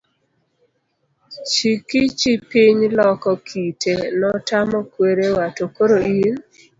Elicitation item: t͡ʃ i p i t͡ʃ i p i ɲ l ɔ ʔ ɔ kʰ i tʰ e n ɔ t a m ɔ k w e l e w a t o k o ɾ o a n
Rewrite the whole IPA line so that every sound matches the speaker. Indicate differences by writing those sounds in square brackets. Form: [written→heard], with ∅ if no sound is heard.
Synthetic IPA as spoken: t͡ʃ i [p→k] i t͡ʃ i p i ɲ l ɔ [ʔ→k] ɔ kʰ i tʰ e n ɔ t a m ɔ k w e [l→ɾ] e w a t o k o ɾ o [a→i] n